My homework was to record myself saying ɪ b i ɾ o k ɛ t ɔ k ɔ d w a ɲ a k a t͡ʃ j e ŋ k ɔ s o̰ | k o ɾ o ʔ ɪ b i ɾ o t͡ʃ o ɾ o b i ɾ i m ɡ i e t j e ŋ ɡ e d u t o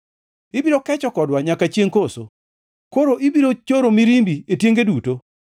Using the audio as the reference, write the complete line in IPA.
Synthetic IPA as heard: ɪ b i ɾ o k ɛ t͡ʃ ɔ k ɔ d w a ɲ a k a t͡ʃ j e ŋ k o s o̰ | k o ɾ o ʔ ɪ b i ɾ o t͡ʃ o ɾ o m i ɾ i m b i e t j e ŋ ɡ e d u t o